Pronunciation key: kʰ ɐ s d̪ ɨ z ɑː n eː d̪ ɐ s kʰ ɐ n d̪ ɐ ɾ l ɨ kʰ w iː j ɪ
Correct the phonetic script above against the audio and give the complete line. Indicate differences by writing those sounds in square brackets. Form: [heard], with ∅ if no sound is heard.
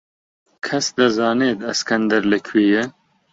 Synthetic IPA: kʰ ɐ s d̪ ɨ z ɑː n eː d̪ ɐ s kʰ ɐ n d̪ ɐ ɾ l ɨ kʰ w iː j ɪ